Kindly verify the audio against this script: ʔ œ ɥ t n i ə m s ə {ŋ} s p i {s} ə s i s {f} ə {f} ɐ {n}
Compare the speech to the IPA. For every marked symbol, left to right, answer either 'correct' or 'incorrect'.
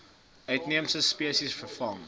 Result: incorrect: none, incorrect: none, correct, correct, incorrect: ŋ

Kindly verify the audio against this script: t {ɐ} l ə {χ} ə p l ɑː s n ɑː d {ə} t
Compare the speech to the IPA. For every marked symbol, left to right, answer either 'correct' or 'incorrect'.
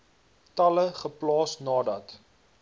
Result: correct, correct, incorrect: ɐ

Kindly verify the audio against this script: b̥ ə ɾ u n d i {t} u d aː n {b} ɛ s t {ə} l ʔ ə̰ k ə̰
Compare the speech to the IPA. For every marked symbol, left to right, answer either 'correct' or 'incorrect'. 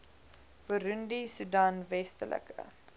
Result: incorrect: s, incorrect: v, correct

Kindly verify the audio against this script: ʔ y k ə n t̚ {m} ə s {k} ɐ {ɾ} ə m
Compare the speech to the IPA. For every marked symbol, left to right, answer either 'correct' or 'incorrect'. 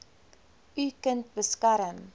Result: incorrect: b, correct, correct

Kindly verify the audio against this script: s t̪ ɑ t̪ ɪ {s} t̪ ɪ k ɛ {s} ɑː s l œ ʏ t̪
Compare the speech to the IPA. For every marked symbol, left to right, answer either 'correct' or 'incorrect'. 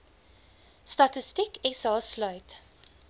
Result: correct, correct

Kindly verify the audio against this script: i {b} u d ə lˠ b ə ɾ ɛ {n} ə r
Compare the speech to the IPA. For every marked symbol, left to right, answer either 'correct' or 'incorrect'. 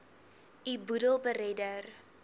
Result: correct, incorrect: d

